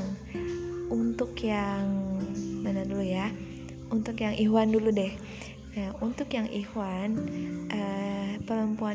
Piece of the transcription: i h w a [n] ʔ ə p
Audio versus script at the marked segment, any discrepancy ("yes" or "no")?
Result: no